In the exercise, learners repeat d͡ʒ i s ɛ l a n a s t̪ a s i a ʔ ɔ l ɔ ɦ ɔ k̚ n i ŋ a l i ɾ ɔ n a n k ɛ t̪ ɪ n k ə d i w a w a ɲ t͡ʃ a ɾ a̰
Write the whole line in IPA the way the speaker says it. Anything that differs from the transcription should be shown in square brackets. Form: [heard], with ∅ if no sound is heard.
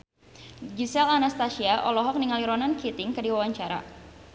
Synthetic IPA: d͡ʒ i s ɛ l a n a s t̪ a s i a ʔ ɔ l ɔ ɦ ɔ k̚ n i ŋ a l i ɾ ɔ n a n k [i] t̪ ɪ [ŋ] k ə d i w a w a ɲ t͡ʃ a ɾ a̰